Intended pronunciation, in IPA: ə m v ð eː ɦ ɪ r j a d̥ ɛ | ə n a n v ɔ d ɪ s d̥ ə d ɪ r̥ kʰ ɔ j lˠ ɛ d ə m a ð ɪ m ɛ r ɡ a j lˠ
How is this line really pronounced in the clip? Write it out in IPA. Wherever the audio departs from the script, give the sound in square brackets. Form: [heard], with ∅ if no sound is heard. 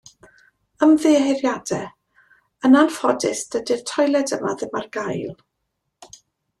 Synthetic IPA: ə m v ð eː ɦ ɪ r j a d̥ ɛ | ə n a n [f] ɔ d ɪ s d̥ ə d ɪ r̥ [tʰ] ɔ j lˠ ɛ d ə m a ð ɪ m [a] r ɡ a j lˠ